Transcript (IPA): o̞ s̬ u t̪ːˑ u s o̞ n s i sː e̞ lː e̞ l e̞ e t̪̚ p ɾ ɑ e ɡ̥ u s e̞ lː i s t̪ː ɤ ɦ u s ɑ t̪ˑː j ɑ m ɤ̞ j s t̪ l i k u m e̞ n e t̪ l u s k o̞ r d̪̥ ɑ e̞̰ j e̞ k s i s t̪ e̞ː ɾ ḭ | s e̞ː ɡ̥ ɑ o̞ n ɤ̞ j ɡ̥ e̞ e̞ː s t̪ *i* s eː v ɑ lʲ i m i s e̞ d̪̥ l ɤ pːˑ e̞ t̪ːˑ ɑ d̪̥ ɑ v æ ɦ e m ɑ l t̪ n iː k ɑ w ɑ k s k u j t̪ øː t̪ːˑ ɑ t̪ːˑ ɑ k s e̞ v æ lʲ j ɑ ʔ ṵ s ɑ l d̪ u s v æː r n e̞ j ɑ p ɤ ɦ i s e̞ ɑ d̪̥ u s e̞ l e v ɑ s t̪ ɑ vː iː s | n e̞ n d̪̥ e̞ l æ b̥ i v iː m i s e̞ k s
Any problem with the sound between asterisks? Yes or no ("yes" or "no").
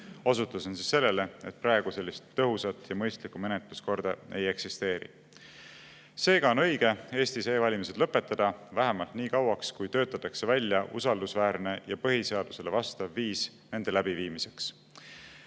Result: no